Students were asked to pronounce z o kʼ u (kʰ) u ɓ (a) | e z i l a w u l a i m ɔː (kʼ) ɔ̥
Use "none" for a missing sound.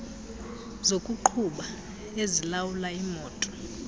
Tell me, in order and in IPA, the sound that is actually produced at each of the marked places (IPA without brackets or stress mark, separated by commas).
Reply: ǃʰ, a, tʼ